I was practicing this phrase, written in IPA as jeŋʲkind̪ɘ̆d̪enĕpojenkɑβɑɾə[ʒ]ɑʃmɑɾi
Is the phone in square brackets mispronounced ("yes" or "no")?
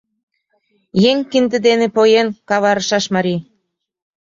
yes